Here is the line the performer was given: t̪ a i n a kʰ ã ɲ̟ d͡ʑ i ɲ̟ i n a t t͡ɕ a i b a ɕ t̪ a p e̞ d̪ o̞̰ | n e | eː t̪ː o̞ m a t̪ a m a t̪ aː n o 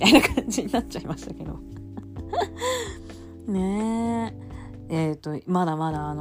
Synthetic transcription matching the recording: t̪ a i n a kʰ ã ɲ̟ d͡ʑ i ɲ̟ i n a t t͡ɕ a i m a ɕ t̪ a k e̞ d̪ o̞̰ | n e | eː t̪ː o̞ m a d̪ a m a d̪ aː n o